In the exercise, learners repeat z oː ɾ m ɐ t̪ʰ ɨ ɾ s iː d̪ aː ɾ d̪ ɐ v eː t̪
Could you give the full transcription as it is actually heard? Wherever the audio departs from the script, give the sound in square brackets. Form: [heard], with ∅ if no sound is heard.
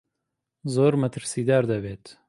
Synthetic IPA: z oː ɾ m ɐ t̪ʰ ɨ ɾ s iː d̪ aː ɾ d̪ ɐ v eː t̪

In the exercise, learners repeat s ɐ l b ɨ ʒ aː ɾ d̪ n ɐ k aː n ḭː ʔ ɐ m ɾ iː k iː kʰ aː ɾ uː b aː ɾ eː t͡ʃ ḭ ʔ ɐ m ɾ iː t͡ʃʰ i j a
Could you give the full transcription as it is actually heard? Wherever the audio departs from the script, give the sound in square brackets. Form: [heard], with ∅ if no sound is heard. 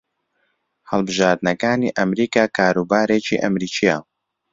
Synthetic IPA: [h] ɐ l b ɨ ʒ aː ɾ d̪ n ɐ k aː n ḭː ʔ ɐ m ɾ iː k [aː] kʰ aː ɾ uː b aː ɾ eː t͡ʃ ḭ ʔ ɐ m ɾ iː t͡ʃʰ i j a

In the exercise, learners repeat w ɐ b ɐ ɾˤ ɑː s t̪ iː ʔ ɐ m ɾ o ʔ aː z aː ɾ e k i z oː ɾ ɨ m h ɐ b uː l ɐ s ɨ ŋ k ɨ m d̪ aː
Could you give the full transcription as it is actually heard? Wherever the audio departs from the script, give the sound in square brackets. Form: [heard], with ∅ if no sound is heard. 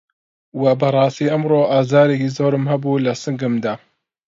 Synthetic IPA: w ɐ b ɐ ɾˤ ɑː s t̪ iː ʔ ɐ m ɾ o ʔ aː z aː ɾ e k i z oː ɾ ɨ m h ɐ b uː l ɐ s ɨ ŋ [ɡ] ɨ m d̪ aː

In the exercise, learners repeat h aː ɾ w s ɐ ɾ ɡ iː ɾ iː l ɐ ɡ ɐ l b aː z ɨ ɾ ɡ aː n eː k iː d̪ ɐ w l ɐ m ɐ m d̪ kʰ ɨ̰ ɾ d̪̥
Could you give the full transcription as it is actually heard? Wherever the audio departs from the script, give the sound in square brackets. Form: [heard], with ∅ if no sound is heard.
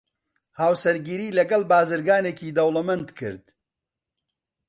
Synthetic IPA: h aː [∅] w s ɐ ɾ ɡ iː ɾ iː l ɐ ɡ ɐ l b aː z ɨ ɾ ɡ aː n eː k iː d̪ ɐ w l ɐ m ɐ [n] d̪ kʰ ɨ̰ ɾ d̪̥

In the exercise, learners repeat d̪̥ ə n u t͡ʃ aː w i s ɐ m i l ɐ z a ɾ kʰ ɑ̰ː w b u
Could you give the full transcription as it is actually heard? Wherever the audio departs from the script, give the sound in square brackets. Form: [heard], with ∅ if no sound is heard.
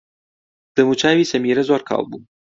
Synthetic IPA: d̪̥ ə [m] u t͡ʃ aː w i s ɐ m i [ɾ] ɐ z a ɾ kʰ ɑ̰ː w b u

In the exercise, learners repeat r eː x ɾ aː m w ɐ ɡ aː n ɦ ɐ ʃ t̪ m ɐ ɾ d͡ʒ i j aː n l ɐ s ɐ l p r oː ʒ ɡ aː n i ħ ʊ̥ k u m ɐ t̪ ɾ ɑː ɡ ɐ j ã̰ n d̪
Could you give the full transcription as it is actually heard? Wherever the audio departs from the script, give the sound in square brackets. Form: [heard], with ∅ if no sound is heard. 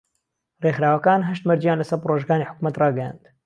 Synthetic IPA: r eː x ɾ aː [∅] w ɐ [k] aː n ɦ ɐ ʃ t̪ m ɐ ɾ d͡ʒ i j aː n l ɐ s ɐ [ɾ] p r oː ʒ ɡ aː n i ħ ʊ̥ k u m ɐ t̪ [r] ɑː ɡ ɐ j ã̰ n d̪

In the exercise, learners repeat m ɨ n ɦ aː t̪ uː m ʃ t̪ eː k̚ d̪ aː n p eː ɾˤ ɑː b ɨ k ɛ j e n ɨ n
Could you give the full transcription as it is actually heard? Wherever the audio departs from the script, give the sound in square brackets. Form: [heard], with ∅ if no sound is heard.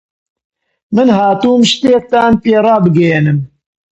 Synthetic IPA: m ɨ n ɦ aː t̪ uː m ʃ t̪ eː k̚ [t̪] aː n p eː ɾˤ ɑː b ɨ [ɡ] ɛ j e n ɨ [m]

